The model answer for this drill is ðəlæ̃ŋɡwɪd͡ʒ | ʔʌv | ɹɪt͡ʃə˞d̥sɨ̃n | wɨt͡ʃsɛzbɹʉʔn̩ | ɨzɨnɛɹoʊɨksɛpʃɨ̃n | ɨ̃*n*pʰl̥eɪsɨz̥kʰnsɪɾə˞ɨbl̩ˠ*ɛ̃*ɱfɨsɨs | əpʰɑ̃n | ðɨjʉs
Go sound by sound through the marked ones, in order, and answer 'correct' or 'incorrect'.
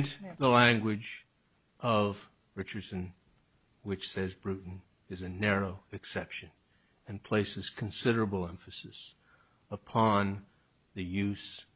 correct, correct

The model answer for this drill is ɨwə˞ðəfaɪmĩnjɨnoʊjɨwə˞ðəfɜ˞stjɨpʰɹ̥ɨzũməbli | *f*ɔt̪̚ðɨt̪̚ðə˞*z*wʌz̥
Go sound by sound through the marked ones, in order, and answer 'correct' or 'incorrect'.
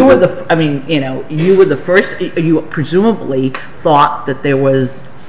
incorrect: θ, incorrect: none

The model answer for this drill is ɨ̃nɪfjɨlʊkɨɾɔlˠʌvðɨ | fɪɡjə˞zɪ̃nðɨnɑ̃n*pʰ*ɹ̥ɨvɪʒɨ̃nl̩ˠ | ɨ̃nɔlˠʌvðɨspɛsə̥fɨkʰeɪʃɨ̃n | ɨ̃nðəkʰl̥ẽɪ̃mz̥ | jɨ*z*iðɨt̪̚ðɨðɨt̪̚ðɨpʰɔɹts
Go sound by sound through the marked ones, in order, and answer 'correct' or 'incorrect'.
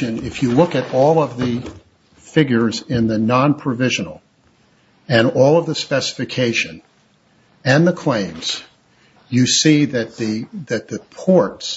correct, incorrect: s

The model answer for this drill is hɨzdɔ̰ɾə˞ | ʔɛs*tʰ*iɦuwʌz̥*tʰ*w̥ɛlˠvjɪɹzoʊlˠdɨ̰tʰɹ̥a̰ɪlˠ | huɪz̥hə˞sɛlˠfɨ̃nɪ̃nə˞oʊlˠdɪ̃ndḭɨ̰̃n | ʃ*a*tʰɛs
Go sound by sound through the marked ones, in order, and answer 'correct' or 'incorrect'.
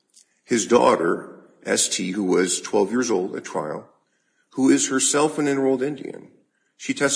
correct, correct, incorrect: i

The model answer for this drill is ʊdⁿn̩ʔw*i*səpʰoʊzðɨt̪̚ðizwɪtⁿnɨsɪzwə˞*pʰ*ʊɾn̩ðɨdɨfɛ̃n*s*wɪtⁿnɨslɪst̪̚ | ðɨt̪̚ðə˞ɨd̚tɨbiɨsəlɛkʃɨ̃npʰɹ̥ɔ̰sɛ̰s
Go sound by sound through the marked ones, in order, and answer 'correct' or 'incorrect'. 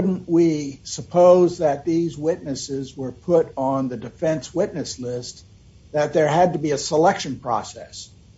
correct, correct, correct

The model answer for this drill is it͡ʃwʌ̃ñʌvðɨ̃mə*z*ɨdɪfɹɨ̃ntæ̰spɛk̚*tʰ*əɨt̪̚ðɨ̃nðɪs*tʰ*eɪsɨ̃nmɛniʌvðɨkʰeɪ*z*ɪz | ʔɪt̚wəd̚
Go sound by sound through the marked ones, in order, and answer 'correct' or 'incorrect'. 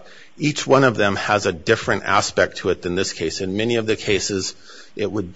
correct, correct, incorrect: kʰ, incorrect: s

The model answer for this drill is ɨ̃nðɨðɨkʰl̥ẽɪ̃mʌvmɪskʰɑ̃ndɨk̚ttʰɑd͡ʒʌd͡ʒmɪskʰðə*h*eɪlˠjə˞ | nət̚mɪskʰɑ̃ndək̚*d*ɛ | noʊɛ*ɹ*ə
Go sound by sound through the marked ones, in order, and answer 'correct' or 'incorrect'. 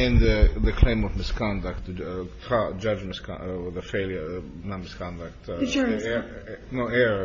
incorrect: f, incorrect: t, correct

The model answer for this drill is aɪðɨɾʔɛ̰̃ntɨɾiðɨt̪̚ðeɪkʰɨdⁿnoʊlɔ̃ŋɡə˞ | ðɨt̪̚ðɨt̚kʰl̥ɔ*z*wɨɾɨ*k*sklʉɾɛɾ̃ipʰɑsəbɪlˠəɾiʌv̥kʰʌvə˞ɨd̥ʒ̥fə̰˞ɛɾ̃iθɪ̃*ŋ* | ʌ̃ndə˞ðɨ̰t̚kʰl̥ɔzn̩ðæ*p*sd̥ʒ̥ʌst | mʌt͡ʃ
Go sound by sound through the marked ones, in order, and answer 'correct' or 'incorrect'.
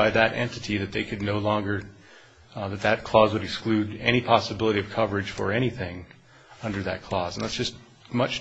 correct, correct, correct, incorrect: t

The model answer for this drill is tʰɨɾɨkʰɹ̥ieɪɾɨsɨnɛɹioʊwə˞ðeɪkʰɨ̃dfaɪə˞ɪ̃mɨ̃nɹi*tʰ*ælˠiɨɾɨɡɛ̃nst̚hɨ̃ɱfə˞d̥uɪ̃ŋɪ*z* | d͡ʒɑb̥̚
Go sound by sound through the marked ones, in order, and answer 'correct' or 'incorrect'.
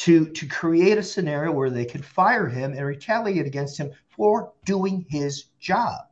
correct, correct

